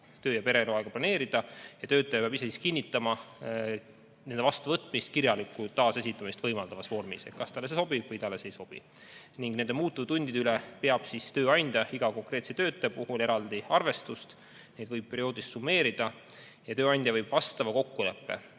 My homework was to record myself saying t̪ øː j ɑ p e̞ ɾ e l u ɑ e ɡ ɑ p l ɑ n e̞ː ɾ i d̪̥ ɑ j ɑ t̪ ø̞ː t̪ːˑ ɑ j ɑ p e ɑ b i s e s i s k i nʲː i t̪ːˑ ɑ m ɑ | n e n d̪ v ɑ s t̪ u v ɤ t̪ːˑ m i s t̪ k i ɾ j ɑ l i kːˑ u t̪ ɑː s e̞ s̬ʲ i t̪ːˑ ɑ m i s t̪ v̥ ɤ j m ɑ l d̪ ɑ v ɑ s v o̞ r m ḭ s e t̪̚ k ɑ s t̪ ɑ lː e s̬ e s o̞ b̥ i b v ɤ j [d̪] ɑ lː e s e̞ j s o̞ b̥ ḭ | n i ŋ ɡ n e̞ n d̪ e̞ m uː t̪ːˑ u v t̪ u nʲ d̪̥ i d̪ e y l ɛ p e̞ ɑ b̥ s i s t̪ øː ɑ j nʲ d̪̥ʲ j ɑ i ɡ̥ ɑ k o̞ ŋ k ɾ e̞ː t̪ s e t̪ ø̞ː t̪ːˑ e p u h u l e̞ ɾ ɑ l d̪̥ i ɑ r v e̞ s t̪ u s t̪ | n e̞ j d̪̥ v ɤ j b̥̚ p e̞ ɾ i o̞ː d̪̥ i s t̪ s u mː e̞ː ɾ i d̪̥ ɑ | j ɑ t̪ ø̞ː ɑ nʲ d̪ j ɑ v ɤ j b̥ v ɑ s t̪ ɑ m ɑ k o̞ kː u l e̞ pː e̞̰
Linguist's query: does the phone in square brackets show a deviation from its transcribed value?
yes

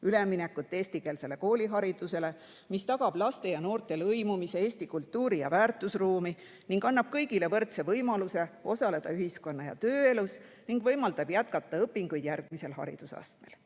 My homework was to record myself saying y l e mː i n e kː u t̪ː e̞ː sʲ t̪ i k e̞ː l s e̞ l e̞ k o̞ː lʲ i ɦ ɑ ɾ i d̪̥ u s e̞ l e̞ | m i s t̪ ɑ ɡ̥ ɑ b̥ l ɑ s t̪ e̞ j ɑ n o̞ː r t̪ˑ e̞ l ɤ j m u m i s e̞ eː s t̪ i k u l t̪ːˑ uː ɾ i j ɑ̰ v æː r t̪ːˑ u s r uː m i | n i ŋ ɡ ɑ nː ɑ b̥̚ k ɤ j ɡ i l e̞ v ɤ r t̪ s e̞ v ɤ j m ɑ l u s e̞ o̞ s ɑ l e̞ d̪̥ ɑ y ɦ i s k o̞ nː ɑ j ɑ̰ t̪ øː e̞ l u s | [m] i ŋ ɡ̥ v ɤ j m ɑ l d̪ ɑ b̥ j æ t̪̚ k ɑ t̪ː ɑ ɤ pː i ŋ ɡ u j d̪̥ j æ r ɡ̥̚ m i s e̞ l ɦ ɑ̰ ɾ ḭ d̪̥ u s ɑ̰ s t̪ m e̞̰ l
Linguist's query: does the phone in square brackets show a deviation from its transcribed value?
yes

